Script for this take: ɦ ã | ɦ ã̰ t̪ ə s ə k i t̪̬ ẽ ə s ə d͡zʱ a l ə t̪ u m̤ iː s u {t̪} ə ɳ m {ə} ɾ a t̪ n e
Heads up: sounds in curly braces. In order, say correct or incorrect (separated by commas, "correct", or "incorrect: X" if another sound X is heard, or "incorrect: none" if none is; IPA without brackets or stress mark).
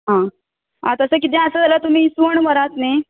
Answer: incorrect: none, correct